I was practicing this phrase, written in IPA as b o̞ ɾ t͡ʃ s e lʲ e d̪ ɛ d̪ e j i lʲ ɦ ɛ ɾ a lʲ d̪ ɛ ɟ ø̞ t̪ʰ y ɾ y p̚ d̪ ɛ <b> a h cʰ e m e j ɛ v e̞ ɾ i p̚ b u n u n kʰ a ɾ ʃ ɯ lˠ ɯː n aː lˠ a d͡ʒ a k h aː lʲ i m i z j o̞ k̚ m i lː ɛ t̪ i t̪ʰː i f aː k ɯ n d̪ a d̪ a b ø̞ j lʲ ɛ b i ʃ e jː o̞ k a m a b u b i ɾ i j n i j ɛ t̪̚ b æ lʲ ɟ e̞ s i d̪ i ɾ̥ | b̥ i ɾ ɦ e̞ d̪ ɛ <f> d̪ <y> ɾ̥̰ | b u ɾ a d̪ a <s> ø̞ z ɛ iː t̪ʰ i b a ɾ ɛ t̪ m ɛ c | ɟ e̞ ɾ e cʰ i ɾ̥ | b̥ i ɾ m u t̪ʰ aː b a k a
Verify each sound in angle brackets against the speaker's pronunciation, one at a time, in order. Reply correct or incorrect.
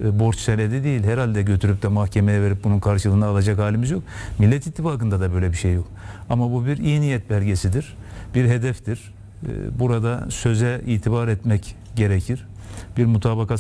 incorrect, correct, incorrect, correct

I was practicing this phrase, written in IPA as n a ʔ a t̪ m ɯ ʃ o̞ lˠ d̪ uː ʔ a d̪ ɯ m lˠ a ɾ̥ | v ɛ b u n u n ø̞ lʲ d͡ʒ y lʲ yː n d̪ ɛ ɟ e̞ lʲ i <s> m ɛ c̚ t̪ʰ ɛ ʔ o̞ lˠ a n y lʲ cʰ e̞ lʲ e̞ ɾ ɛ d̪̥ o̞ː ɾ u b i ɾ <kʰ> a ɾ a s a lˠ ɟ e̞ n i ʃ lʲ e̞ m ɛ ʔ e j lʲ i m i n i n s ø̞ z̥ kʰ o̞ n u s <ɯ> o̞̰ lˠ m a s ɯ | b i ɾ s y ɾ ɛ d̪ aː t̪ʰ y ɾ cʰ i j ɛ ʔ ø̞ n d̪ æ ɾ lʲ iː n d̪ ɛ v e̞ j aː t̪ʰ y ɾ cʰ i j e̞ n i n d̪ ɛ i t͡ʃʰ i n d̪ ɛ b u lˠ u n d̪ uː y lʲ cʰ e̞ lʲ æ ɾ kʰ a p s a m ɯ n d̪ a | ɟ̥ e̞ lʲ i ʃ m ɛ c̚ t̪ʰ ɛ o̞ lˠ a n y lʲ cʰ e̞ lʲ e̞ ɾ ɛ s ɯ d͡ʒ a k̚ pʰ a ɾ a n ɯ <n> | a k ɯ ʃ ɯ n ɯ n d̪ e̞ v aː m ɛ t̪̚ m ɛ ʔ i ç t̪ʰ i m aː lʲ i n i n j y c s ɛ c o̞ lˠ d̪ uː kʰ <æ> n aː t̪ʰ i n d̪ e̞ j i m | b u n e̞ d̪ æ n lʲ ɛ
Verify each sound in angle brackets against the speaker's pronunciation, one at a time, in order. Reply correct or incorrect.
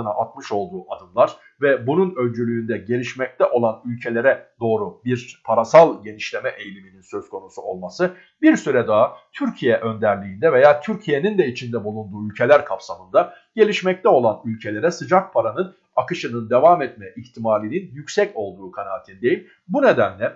incorrect, incorrect, incorrect, correct, incorrect

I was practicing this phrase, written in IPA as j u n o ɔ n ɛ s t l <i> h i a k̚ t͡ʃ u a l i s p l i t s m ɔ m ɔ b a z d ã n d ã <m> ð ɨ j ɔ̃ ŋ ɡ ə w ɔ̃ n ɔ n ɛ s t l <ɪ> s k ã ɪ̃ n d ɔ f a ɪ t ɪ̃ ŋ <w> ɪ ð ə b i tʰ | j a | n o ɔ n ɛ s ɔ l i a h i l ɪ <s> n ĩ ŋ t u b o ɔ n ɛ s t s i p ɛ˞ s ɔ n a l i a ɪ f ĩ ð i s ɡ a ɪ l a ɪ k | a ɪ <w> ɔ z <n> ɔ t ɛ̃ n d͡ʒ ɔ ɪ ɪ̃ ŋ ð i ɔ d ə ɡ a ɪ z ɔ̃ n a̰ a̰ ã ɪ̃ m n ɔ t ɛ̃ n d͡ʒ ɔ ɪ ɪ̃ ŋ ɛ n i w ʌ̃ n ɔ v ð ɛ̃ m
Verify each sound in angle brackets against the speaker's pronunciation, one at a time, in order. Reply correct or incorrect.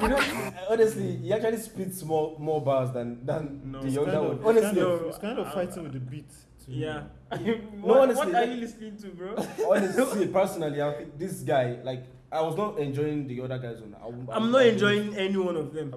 correct, incorrect, incorrect, correct, correct, correct, correct

